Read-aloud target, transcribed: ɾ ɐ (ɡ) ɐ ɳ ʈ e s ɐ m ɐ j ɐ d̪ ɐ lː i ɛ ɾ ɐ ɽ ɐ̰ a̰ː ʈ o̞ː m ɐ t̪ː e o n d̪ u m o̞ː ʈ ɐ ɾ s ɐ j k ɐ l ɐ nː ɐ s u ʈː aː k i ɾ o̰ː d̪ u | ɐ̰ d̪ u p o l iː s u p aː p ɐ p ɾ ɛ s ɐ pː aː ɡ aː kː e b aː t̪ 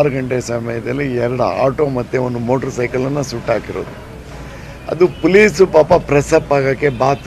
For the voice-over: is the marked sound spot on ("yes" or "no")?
yes